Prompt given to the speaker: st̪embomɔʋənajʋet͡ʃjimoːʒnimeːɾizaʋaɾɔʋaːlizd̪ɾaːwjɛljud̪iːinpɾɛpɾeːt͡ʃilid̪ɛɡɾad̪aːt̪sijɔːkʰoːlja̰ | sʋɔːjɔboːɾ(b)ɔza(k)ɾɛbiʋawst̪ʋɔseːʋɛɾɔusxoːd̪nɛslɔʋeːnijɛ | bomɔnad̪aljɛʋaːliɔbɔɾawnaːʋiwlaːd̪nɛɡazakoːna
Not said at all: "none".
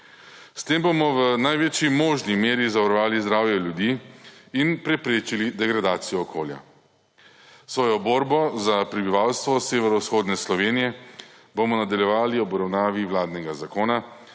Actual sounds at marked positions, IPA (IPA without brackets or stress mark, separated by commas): b, p